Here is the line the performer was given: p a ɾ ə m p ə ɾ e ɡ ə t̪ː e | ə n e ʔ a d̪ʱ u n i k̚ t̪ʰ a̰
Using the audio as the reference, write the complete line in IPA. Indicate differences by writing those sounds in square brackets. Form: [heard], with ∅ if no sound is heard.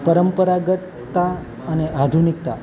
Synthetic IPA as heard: p [ə] ɾ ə m p ə ɾ [a] ɡ ə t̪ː [a] | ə n e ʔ a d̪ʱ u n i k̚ [t̪] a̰